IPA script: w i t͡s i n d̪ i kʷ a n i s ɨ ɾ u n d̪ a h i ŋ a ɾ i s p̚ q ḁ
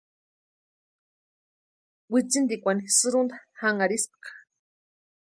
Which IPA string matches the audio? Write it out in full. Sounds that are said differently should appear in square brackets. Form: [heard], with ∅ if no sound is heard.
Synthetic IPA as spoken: w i t͡s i n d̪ i kʷ a n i s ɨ ɾ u n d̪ a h [a] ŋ a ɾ i s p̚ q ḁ